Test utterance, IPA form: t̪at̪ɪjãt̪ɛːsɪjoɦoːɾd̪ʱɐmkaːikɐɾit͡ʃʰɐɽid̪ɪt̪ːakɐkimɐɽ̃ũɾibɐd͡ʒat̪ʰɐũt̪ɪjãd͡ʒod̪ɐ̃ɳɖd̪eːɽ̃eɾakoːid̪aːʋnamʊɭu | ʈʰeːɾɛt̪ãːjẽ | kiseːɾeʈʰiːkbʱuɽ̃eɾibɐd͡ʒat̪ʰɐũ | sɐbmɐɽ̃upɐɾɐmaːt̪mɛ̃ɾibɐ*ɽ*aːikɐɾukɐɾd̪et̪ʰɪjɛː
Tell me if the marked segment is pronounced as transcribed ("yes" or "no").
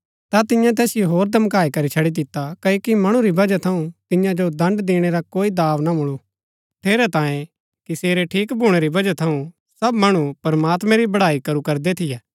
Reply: yes